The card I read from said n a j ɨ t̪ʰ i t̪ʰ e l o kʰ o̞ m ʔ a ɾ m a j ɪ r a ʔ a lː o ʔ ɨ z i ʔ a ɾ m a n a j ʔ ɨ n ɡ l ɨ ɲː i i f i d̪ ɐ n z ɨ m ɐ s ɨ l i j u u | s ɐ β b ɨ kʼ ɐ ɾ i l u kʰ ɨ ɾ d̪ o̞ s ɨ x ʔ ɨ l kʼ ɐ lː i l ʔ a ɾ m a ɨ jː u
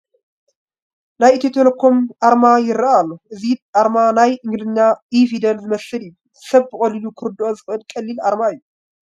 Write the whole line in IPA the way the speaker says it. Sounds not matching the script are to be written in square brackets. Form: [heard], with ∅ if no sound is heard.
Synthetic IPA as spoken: n a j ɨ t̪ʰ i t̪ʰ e l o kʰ o̞ m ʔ a ɾ m a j ɪ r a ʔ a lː o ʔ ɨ z i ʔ a ɾ m a n a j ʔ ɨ [ŋ] ɡ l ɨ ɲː [a] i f i d̪ ɐ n z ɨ m ɐ s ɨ l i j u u | s ɐ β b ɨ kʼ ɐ [l] i l u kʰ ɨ ɾ d̪ o̞ [z] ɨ x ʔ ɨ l kʼ ɐ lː i l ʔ a ɾ m a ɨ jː u